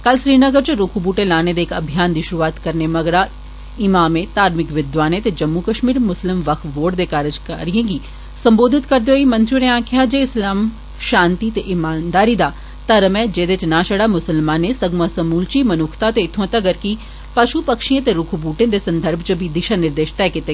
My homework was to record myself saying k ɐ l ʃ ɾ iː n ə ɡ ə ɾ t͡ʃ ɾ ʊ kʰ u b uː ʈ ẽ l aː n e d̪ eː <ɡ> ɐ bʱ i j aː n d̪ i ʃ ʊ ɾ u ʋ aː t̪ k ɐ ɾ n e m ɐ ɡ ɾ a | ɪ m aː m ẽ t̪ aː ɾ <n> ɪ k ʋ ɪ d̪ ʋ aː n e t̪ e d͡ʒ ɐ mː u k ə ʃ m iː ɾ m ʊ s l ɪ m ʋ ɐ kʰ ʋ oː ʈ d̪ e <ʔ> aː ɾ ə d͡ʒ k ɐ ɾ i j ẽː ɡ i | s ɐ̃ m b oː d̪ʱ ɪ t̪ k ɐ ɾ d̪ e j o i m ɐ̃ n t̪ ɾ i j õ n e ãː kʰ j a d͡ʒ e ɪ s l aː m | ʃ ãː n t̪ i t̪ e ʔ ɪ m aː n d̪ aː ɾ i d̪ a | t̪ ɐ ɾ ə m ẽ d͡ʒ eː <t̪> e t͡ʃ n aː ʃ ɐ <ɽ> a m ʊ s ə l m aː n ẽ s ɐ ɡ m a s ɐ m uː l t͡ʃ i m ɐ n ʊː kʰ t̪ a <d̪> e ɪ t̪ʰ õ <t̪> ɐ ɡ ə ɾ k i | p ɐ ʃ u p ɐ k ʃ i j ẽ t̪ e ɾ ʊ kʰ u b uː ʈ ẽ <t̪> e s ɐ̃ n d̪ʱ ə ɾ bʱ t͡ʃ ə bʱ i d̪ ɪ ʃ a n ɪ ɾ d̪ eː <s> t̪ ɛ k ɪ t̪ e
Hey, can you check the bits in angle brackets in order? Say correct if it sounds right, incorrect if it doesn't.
incorrect, incorrect, incorrect, incorrect, correct, incorrect, correct, incorrect, incorrect

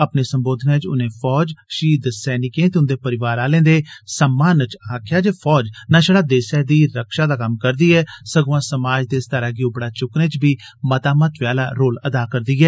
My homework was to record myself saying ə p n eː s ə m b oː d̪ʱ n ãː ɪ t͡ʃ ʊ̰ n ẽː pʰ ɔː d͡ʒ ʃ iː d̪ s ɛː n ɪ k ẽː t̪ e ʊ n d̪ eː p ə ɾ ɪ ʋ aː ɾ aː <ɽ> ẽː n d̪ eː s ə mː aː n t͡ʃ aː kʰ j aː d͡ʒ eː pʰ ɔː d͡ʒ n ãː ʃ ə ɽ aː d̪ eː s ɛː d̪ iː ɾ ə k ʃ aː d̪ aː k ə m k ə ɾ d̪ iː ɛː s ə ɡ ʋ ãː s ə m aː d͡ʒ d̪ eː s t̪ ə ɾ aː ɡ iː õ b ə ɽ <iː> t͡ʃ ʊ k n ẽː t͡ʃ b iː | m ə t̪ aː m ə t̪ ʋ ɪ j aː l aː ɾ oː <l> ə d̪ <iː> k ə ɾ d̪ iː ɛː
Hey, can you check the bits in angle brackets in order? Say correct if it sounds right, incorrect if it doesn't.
incorrect, incorrect, correct, incorrect

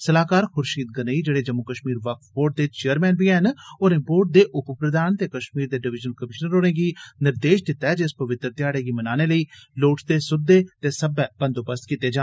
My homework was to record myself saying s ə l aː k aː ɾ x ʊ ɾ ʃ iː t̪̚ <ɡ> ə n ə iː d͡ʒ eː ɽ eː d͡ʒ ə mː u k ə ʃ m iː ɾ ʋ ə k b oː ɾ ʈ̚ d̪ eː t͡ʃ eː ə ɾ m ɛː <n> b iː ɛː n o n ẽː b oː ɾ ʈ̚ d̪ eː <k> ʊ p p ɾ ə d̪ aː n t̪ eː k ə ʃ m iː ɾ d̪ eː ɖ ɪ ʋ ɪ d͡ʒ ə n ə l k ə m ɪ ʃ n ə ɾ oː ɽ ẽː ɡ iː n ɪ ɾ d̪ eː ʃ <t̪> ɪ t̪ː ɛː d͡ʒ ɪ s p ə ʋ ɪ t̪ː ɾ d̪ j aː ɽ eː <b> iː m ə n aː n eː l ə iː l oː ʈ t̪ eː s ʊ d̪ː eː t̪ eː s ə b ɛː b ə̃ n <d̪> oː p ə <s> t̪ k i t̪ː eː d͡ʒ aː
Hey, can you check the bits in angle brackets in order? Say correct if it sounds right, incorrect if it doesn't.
correct, correct, incorrect, incorrect, incorrect, correct, correct

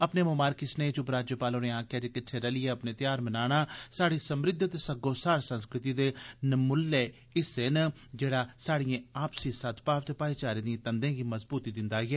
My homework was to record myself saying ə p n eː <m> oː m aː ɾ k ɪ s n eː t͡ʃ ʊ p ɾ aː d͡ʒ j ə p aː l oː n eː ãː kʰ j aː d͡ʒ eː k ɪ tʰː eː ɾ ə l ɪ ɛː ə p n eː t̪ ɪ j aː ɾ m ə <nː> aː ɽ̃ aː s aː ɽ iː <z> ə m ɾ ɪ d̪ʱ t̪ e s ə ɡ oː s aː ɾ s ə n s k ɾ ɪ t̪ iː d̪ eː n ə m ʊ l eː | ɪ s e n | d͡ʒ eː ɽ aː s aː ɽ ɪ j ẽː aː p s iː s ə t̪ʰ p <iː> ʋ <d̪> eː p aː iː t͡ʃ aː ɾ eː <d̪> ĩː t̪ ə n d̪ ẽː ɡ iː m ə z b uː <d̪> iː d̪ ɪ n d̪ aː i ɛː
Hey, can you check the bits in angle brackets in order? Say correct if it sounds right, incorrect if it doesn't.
correct, incorrect, incorrect, incorrect, incorrect, correct, incorrect

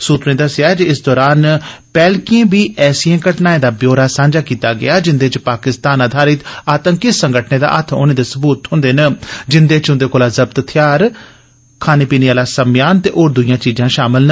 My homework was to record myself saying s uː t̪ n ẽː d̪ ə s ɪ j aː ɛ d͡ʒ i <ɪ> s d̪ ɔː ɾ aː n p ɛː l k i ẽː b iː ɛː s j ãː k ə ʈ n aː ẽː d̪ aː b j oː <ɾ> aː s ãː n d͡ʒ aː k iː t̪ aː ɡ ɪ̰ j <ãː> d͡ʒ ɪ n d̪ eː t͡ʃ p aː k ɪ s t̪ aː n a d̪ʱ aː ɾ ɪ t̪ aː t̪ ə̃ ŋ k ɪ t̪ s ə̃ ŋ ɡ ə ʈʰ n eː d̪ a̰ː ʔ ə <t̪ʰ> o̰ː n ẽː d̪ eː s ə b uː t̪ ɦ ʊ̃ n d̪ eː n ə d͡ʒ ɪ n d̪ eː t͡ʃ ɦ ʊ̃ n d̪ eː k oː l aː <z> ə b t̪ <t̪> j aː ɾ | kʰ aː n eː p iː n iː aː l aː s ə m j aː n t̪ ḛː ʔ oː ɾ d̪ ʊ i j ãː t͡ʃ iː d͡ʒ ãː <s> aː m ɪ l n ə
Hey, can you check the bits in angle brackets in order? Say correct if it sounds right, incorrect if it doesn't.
correct, correct, incorrect, correct, correct, incorrect, incorrect

